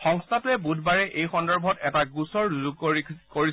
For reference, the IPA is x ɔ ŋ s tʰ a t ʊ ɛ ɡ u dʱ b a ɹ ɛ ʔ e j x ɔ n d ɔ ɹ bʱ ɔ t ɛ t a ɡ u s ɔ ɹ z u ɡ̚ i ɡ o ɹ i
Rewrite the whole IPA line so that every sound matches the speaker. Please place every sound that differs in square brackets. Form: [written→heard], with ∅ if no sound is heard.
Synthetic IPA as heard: x ɔ ŋ s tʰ a t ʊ ɛ [ɡ→b] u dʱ b a ɹ ɛ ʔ e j x ɔ n d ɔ ɹ bʱ ɔ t ɛ t a ɡ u s ɔ ɹ z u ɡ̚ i [ɡ→k] o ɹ i